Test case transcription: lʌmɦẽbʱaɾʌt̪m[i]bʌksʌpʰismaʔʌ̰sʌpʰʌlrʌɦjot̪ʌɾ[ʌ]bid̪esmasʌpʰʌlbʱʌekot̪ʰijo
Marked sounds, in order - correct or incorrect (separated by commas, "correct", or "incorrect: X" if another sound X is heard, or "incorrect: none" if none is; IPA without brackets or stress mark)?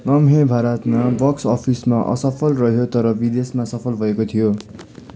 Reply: incorrect: a, correct